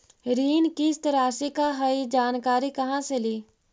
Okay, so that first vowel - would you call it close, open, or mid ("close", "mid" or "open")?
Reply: close